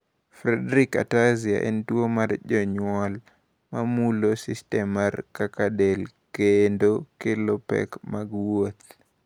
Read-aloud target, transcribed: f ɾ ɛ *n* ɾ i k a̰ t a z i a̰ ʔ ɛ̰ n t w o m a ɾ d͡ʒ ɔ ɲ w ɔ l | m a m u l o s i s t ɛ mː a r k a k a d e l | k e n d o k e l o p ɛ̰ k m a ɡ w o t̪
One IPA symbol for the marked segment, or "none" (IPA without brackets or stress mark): d